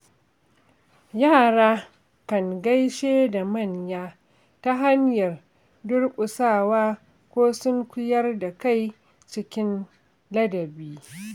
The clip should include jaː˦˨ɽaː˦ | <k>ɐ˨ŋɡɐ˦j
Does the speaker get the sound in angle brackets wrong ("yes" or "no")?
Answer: no